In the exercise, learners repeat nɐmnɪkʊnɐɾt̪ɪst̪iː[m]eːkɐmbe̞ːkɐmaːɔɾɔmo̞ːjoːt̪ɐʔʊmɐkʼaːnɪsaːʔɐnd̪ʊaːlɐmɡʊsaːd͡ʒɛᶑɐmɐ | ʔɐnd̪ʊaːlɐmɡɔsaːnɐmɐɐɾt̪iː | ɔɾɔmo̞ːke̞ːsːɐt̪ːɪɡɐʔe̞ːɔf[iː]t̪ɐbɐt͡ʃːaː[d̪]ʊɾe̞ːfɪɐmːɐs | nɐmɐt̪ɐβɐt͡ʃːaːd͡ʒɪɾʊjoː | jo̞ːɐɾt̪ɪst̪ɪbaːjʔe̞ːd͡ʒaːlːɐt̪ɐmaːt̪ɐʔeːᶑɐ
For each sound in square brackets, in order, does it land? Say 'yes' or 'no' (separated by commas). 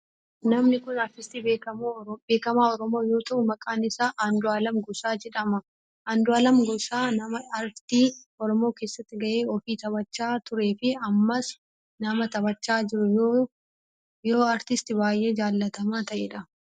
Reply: no, yes, no